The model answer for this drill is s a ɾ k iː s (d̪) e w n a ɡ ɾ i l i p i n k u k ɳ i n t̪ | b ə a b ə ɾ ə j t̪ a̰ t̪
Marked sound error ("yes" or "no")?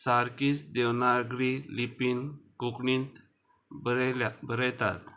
no